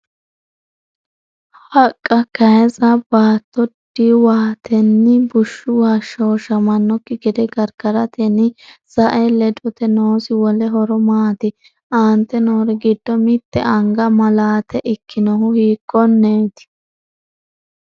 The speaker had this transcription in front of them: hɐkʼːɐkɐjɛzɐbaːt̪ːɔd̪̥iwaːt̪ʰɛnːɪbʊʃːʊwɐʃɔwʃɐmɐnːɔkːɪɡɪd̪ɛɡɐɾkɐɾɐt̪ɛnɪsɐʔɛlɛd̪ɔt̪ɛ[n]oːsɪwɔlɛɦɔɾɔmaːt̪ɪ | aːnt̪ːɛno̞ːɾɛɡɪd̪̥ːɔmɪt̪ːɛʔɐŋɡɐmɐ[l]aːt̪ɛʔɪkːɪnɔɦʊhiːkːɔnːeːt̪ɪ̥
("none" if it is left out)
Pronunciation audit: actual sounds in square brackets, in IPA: n, l

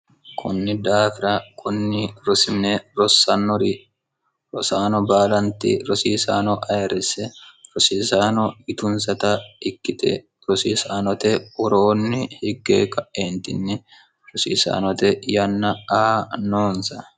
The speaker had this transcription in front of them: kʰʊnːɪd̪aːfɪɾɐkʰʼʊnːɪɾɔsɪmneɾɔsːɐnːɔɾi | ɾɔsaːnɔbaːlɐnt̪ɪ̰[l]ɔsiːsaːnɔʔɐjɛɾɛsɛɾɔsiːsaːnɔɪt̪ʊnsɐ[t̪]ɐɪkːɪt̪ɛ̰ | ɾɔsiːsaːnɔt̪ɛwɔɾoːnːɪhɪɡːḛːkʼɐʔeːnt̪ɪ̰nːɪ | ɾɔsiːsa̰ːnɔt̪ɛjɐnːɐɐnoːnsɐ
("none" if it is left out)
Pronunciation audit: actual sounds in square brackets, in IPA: ɾ, t̪

